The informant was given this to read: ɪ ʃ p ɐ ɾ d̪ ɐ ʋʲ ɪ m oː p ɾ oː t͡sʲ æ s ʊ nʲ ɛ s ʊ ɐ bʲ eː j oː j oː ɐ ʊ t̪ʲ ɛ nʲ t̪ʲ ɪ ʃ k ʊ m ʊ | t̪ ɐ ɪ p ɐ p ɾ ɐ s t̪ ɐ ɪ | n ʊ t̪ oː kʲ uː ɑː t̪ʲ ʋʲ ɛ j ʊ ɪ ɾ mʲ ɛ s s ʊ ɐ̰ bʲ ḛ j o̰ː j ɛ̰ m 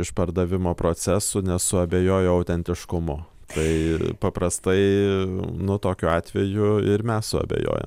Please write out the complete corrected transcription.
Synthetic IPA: ɪ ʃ p ɐ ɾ d̪ ɐ ʋʲ ɪ m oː p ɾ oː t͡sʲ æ s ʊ nʲ ɛ s ʊ ɐ bʲ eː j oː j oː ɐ ʊ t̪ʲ ɛ nʲ t̪ʲ ɪ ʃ k ʊ m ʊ | t̪ ɐ ɪ p ɐ p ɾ ɐ s t̪ ɐ ɪ | n ʊ t̪ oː kʲ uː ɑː t̪ʲ ʋʲ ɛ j ʊ ɪ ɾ mʲ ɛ s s ʊ ɐ̰ bʲ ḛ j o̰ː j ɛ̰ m